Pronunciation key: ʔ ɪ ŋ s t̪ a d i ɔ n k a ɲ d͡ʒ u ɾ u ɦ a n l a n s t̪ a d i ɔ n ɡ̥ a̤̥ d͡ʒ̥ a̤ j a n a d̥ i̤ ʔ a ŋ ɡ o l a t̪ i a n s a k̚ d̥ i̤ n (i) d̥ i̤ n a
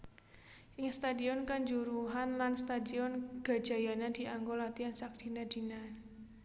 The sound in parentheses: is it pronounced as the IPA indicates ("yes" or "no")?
no